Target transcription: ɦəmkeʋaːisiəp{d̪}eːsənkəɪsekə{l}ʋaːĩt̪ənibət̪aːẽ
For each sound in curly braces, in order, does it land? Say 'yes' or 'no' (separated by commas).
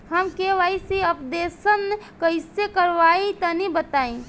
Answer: yes, no